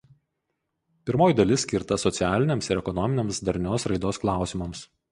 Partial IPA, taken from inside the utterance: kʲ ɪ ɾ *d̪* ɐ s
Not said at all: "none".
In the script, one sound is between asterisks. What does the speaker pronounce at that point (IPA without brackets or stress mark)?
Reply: t̪